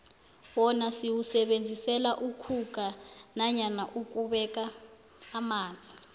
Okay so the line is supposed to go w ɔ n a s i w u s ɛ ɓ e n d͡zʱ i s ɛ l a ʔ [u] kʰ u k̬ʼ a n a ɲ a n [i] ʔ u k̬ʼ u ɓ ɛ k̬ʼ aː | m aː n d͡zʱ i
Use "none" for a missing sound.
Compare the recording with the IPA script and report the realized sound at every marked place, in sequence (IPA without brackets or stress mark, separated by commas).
u, a